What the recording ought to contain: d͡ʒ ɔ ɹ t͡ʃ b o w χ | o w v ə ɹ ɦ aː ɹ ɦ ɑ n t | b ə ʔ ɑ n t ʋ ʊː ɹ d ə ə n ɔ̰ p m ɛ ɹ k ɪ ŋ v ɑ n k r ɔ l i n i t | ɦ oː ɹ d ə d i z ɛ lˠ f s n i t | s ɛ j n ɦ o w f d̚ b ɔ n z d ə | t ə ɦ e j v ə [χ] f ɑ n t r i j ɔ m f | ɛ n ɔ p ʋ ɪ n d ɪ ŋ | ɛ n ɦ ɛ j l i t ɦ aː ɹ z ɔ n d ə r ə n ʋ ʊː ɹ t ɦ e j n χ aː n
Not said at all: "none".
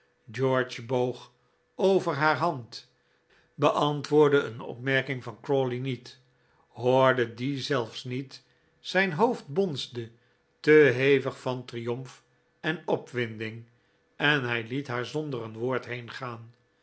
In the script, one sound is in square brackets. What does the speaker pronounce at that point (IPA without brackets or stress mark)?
χ